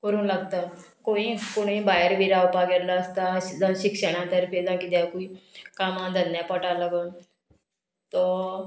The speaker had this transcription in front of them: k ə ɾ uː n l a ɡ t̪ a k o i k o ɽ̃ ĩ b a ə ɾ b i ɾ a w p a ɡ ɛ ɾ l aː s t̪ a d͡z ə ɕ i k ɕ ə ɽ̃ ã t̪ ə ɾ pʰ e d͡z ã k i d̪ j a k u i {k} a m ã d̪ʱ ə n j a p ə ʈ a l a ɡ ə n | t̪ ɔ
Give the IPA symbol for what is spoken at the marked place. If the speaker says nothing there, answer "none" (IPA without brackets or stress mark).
k